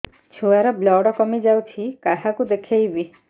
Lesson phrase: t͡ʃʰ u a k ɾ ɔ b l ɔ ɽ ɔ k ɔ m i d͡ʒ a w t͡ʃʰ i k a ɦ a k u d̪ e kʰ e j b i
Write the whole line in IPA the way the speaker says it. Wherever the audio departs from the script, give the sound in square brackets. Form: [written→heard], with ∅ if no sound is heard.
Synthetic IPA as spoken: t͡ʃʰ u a [k→∅] ɾ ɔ b l ɔ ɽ ɔ k ɔ m i d͡ʒ a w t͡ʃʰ i k a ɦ a k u d̪ e kʰ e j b i

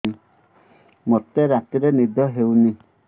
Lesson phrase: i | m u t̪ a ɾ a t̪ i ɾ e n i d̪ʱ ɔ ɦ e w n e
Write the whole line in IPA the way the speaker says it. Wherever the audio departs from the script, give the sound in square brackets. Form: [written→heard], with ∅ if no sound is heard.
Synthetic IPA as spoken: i | m [u→o] t̪ [a→e] ɾ a t̪ i ɾ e n i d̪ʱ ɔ ɦ e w n [e→i]

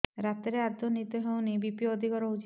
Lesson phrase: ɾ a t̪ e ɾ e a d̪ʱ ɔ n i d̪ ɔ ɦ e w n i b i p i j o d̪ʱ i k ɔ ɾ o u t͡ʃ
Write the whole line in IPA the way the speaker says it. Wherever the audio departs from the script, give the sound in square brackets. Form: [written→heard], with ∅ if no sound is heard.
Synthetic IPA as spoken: ɾ a t̪ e ɾ e a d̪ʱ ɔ n i [d̪→t̪] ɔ ɦ e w n i b i p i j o d̪ʱ i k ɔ ɾ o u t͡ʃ

